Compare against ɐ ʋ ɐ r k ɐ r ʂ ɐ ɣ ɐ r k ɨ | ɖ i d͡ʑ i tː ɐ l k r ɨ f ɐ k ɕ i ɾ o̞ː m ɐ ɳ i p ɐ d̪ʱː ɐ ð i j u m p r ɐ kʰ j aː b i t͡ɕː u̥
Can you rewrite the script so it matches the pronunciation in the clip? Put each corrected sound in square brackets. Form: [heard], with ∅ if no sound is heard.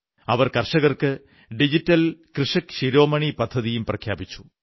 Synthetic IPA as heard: ɐ ʋ ɐ r k ɐ r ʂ ɐ ɣ ɐ r k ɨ | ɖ i d͡ʑ i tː ɐ l k r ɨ [ʂ] ɐ k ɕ i ɾ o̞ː m ɐ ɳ i p ɐ d̪ʱː ɐ ð i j u m p r ɐ kʰ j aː b i t͡ɕː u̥